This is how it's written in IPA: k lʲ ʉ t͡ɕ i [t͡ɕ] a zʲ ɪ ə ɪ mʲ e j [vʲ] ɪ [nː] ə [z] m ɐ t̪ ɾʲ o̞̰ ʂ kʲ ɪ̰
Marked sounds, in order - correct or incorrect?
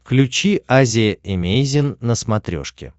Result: incorrect, incorrect, correct, incorrect

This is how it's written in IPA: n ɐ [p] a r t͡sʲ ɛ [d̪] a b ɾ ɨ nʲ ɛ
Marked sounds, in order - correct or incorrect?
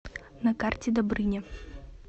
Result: incorrect, correct

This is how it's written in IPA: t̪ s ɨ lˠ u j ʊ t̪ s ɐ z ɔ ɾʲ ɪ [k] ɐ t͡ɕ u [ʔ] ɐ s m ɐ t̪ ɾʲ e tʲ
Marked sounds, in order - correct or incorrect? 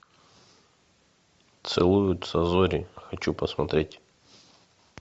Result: incorrect, incorrect

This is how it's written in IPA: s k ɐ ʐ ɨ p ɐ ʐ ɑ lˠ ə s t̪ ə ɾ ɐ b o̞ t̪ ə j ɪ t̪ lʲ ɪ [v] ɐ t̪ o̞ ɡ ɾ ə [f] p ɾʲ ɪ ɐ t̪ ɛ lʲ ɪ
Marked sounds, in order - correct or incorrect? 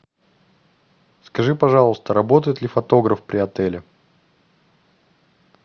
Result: incorrect, correct

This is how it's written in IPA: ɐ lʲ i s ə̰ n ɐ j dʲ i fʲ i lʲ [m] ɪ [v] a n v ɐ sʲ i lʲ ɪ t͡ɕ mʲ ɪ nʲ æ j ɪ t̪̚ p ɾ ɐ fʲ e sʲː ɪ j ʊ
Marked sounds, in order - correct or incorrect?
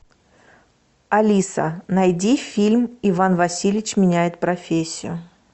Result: correct, correct

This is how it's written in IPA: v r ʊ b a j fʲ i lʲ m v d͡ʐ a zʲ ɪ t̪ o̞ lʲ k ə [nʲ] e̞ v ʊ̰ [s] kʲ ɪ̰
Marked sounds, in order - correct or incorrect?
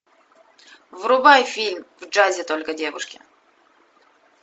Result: incorrect, incorrect

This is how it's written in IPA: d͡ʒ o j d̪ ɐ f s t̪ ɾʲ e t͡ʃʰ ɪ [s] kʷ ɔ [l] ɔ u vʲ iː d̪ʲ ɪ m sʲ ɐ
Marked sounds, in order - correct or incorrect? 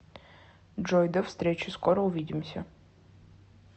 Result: correct, incorrect

